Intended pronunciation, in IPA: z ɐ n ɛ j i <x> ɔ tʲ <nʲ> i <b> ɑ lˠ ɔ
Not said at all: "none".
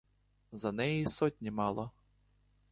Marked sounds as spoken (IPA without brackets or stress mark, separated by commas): s, nʲ, m